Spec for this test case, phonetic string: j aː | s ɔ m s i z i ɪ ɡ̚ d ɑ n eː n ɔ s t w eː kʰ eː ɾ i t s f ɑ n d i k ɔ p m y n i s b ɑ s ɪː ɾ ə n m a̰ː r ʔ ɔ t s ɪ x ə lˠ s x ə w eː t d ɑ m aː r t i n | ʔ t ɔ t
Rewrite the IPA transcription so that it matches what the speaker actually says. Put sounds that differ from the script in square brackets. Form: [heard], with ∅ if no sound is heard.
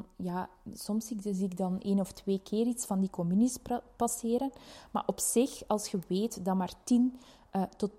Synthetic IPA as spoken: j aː | s ɔ m s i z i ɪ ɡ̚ d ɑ n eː n ɔ [f] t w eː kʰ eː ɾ i t s f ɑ n d i k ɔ [∅] m y n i s [p] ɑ s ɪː ɾ ə n m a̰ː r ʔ ɔ [p] s ɪ x [ɑ] lˠ s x ə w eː t d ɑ m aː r t i n | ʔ t ɔ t